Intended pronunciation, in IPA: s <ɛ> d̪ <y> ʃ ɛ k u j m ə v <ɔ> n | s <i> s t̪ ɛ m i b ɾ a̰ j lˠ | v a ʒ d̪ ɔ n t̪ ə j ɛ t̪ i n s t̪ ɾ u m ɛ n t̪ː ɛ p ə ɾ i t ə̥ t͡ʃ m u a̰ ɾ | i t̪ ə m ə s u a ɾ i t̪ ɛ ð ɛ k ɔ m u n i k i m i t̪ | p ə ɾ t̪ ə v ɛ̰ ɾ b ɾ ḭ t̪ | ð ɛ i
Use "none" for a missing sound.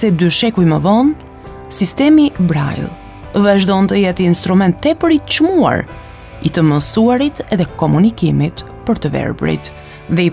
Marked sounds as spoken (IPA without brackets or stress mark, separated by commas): ɛ, y, ɔ, i